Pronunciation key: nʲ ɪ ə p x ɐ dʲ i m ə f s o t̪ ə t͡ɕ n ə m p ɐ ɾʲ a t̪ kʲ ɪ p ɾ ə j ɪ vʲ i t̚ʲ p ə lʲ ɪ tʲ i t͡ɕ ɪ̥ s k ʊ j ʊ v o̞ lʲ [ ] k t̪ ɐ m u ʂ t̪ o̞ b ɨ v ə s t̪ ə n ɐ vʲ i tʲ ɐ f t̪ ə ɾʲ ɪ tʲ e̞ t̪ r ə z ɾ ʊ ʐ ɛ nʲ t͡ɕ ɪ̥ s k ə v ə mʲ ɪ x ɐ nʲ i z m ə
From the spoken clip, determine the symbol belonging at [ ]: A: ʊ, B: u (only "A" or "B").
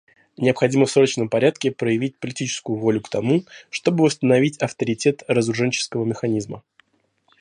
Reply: A